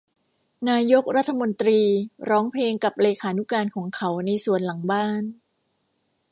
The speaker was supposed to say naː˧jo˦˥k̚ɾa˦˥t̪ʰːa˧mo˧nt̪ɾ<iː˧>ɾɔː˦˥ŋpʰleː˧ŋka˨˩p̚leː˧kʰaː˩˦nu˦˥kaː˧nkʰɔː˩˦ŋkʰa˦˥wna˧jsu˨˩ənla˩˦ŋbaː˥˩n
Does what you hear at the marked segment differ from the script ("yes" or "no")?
no